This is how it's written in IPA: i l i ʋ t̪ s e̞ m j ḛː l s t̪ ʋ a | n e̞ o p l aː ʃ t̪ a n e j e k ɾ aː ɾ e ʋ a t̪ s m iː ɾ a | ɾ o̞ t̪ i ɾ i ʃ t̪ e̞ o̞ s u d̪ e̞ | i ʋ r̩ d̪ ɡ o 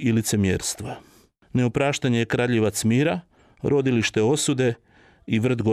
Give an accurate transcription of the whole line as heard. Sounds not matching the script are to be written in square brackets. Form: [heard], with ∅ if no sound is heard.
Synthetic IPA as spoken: i l i [∅] t̪ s e̞ m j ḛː [ɾ] s t̪ ʋ a | n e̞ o p [ɾ] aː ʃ t̪ a [ɲ] e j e k ɾ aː [ʎ] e ʋ a t̪ s m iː ɾ a | ɾ o̞ [d̪] i [l] i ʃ t̪ e̞ o̞ s u d̪ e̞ | i ʋ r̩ d̪ ɡ o